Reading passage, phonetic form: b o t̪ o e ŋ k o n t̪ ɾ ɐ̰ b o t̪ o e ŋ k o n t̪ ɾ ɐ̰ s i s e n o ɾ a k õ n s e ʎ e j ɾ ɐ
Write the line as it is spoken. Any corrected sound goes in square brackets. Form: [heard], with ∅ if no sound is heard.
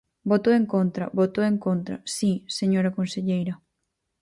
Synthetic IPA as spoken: b o t̪ o e ŋ k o n t̪ ɾ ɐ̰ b o t̪ o e ŋ k o n t̪ ɾ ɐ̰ s i s e [ɲ] o ɾ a k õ n s e ʎ e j ɾ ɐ